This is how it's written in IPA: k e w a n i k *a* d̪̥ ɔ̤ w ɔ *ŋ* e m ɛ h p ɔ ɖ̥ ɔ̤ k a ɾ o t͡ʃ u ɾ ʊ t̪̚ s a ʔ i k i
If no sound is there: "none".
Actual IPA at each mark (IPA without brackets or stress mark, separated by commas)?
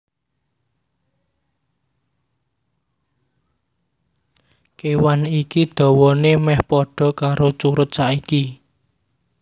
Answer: i, n